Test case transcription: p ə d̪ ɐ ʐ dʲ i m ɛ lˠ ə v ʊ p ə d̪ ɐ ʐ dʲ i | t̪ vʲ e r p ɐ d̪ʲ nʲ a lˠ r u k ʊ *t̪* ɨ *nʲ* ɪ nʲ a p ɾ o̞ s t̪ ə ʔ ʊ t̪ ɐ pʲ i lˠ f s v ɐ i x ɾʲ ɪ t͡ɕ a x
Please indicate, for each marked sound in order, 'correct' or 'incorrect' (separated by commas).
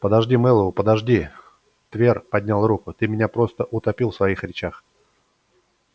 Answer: correct, incorrect